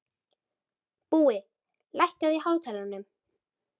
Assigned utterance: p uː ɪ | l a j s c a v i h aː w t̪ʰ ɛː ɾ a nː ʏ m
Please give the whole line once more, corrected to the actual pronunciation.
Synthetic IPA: p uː ɪ | l a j h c a ð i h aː w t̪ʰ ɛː l a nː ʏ m